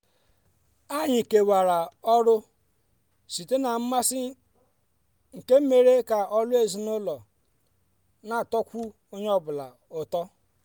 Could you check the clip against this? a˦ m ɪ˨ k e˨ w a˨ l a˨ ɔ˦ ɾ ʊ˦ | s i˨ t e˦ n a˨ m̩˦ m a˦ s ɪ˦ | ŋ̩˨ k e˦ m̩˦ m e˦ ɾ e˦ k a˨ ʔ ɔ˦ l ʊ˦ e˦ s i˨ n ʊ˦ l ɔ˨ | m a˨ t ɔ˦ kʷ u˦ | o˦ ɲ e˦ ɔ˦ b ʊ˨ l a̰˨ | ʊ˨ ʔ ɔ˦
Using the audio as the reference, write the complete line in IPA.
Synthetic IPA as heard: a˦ ɲ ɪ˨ k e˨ w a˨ ɾ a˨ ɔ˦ ɾ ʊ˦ | s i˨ t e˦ n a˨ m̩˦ m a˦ s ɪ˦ | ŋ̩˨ k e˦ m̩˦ m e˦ ɾ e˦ k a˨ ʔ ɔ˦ l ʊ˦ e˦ z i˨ n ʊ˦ l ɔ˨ | n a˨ t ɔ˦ kʷ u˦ | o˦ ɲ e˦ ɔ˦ b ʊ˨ l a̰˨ | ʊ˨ t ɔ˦